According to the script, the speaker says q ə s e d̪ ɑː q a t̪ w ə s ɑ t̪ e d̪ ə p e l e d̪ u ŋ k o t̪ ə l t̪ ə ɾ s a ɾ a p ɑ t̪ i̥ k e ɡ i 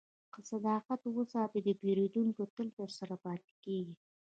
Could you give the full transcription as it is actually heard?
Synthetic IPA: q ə s a d̪ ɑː q a t̪ w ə s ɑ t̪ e d̪ ə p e ɾ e d̪ u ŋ k o t̪ ə l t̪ ə ɾ s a ɾ a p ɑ t̪ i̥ k e ɡ i